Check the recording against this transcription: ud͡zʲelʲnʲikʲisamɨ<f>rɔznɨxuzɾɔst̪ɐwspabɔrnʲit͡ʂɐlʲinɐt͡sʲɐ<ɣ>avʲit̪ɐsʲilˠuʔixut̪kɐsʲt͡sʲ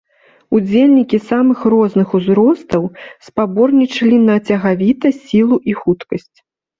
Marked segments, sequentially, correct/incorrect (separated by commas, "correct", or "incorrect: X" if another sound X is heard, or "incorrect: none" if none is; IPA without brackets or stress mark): incorrect: x, correct